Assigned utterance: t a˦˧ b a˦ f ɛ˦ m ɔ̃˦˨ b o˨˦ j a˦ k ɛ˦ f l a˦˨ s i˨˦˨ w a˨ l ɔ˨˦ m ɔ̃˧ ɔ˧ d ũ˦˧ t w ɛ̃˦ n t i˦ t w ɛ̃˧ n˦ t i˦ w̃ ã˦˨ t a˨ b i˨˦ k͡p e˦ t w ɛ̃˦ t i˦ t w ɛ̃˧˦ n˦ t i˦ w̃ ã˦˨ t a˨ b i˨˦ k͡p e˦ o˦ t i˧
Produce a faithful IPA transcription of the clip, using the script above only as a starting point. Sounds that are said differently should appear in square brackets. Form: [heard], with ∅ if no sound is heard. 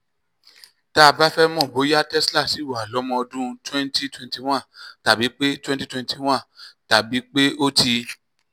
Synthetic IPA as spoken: t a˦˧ b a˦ f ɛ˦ m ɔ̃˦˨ b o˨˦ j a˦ [t] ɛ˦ [s] l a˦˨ s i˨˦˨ w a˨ l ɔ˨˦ m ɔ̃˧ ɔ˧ d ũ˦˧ t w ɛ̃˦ n t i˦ t w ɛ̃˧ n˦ t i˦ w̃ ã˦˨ t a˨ b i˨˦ k͡p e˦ t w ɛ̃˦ t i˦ t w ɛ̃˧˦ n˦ t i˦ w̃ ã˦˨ t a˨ b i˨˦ k͡p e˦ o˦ t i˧